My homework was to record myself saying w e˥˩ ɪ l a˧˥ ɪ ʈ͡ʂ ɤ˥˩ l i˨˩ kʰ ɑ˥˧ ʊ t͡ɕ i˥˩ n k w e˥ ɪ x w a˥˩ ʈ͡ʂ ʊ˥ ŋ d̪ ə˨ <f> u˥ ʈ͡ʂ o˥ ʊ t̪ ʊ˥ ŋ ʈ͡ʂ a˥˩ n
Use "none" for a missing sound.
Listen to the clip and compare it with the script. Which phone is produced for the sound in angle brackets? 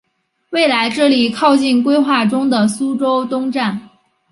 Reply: s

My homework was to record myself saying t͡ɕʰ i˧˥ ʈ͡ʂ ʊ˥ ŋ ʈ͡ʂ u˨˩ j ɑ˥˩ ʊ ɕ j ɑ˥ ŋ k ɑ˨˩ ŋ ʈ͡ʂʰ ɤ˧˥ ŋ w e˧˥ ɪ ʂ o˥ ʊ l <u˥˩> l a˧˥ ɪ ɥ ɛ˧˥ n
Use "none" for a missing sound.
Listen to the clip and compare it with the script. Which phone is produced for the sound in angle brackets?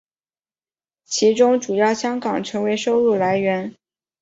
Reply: u˥˩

